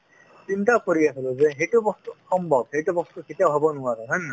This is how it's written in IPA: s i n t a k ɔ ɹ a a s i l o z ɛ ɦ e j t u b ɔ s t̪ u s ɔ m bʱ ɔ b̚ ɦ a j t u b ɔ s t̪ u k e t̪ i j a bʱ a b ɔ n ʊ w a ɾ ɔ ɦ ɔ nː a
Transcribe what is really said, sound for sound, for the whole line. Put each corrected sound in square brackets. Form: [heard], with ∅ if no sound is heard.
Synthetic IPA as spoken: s i n t a k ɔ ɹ [i] a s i l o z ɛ ɦ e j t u b ɔ s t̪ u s ɔ m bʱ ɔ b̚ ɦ [e] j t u b ɔ s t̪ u k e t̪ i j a bʱ a b ɔ n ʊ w a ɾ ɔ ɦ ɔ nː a